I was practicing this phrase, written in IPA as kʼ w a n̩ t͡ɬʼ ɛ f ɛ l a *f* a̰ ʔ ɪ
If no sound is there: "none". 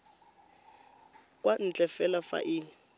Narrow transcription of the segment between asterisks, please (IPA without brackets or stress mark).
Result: f